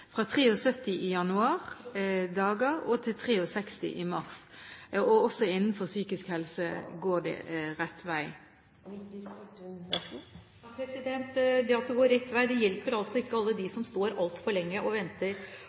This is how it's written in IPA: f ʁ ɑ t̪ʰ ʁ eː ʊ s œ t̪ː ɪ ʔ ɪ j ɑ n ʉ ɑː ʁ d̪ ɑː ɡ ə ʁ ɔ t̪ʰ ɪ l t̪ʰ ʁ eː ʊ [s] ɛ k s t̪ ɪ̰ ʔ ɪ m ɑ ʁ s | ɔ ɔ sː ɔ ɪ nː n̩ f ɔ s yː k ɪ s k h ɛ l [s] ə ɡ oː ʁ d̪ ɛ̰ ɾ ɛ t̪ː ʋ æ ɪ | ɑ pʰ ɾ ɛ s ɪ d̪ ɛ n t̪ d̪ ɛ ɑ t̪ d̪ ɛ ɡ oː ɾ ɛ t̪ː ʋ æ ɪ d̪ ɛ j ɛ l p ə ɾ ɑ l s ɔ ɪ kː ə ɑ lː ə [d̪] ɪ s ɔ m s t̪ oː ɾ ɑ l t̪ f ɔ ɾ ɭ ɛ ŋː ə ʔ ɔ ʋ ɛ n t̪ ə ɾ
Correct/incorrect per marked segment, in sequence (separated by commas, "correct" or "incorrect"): correct, correct, correct